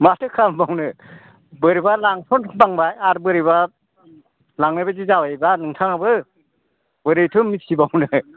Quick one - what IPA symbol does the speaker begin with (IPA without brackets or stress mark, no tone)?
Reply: m